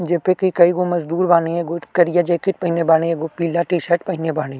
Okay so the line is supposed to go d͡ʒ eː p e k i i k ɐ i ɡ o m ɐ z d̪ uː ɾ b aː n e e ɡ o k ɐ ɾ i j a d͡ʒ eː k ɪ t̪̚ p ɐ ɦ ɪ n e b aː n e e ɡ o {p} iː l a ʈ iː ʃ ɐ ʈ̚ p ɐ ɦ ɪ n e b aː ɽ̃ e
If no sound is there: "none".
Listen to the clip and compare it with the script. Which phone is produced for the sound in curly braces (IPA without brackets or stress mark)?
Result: p